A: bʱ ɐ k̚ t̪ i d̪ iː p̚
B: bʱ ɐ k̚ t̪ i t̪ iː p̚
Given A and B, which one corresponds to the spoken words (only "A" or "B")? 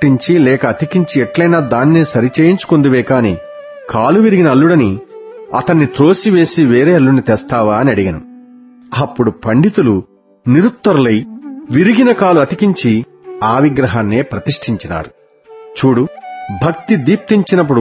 A